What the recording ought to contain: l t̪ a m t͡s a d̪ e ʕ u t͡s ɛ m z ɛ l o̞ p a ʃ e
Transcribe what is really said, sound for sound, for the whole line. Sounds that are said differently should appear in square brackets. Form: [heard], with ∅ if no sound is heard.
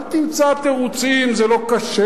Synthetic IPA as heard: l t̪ [i] m t͡s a [t̪] e [ʁ] u t͡s [i] m z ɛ l o̞ [k] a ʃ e